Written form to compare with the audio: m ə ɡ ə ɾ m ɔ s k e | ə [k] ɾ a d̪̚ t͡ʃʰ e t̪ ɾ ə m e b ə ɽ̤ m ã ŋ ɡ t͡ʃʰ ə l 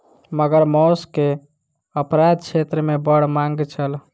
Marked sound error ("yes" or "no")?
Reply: yes